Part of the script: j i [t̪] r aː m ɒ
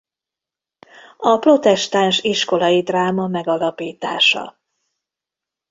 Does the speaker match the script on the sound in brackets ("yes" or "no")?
no